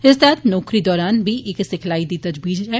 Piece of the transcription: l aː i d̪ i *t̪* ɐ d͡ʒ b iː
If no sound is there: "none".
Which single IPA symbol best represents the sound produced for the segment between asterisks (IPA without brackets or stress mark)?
t̪